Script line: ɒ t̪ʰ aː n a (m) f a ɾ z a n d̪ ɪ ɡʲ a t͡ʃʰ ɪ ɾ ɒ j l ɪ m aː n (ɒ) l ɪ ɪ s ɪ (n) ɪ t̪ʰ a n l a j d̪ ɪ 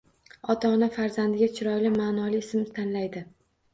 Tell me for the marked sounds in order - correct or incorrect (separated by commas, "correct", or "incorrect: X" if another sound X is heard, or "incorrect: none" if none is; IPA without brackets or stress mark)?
incorrect: none, correct, incorrect: m